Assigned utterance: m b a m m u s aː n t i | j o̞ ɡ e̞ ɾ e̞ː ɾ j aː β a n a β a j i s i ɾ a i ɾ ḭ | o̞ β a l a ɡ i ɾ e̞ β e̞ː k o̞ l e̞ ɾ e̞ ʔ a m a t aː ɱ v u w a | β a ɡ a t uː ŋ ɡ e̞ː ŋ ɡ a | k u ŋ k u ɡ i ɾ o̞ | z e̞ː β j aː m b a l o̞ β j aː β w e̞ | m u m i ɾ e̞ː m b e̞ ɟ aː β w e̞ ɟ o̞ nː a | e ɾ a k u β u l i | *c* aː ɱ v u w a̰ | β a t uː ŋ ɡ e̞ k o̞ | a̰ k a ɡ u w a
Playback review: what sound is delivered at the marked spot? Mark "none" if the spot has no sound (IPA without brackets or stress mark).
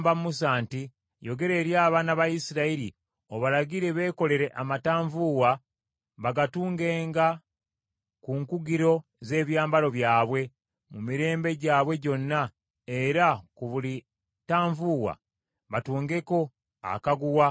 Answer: t